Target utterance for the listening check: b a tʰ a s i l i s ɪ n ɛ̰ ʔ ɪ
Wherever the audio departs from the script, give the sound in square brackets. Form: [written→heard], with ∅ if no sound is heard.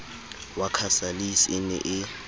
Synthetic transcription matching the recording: [b→w] a [tʰ→kʰ] a s [i→a] l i s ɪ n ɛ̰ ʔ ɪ